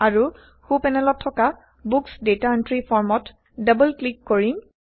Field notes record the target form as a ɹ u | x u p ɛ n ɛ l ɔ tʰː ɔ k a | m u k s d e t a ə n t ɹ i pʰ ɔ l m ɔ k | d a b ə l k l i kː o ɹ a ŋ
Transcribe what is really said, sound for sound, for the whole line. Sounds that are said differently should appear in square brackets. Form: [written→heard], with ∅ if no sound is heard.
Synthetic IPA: a ɹ u | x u p ɛ n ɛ l ɔ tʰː ɔ k a | [m→b] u k s d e t a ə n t ɹ i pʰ ɔ [l→ɹ] m ɔ [k→t] | d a b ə l k l i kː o ɹ [a→i] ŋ

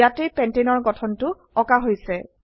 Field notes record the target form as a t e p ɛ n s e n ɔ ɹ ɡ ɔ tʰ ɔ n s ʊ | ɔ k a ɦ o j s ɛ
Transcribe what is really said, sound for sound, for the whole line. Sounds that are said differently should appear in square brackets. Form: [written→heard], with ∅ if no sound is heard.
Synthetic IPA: a t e p ɛ n [s→t] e n ɔ ɹ ɡ ɔ tʰ ɔ n [s→t] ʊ | ɔ k a ɦ o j s ɛ

